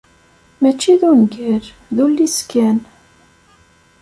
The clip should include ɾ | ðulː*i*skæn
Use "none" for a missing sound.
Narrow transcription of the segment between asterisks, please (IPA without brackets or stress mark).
i